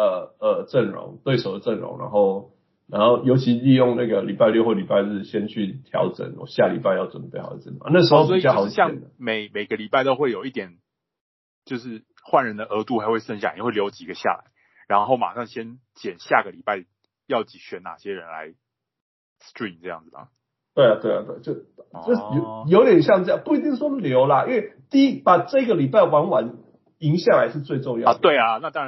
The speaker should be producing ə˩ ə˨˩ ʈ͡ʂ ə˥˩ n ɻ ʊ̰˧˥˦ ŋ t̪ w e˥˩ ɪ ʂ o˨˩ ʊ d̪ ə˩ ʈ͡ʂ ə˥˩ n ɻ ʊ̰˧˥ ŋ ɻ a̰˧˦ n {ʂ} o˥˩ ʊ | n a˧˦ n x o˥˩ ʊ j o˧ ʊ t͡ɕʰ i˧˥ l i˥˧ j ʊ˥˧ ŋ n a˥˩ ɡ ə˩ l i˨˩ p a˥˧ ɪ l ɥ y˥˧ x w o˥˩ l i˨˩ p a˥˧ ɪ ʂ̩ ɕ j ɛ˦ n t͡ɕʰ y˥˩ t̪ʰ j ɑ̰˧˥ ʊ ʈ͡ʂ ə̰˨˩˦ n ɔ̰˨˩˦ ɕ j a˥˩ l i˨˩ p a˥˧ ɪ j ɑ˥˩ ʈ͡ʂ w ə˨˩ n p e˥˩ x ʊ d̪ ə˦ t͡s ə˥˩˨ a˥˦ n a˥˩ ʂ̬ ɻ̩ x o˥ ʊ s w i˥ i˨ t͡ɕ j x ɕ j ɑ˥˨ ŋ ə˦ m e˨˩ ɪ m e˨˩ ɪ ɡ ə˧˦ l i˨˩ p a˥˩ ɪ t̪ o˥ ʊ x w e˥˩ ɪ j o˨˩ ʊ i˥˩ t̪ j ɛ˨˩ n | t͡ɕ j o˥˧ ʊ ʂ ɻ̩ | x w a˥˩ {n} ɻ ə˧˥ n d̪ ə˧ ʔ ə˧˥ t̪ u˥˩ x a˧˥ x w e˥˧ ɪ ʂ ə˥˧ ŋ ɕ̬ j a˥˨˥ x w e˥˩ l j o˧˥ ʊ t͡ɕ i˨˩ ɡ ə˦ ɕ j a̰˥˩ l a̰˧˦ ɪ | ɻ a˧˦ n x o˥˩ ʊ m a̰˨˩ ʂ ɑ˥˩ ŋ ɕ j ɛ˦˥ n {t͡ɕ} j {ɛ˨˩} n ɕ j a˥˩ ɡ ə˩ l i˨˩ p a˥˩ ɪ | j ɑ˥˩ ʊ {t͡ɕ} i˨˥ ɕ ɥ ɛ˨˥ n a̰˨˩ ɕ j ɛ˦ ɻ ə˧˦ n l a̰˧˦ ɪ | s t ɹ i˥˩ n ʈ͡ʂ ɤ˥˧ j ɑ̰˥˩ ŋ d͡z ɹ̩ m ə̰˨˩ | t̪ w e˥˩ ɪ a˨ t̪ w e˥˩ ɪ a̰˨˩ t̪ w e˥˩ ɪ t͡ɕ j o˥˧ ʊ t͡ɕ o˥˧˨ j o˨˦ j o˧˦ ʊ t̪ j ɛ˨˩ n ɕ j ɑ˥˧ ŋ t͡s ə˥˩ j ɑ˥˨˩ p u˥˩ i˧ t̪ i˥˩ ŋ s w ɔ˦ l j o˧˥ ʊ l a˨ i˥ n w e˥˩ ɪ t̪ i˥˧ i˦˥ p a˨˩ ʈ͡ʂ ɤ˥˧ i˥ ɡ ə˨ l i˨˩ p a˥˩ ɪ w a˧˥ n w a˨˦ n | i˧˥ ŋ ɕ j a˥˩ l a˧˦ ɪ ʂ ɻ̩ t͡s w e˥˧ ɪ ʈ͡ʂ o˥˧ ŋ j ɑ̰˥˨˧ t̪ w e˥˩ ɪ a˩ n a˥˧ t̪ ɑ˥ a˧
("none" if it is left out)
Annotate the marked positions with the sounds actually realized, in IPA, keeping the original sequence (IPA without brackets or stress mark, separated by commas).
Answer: x, n, t͡ɕ, ɛ˨˩, t͡ɕ